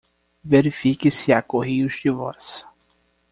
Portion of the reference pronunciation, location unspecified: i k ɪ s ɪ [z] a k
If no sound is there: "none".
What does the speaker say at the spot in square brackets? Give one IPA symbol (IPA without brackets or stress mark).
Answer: none